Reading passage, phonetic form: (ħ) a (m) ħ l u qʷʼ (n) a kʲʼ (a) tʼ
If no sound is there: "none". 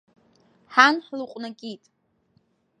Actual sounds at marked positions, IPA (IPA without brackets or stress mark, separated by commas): ħ, n, n, i